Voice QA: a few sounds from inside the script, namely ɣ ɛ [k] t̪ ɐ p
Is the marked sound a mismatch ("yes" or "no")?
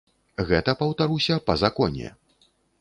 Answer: yes